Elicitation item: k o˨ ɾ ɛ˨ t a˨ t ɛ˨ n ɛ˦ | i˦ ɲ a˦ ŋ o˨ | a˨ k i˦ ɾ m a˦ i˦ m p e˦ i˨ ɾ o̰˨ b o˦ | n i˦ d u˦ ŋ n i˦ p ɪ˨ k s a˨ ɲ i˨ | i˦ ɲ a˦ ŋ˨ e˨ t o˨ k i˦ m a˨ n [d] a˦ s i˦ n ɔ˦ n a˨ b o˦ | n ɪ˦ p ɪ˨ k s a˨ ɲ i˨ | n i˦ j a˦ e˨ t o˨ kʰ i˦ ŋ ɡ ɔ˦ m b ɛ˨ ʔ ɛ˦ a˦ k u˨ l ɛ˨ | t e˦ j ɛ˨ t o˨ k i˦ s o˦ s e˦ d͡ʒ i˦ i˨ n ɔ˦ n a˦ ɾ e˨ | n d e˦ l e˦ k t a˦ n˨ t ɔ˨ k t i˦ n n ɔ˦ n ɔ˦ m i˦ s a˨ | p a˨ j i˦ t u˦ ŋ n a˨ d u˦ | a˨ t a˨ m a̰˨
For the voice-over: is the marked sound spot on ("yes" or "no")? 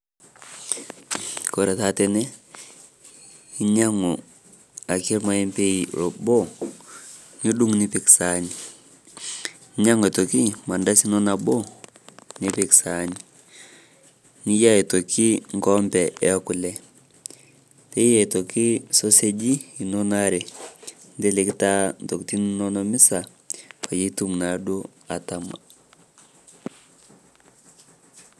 yes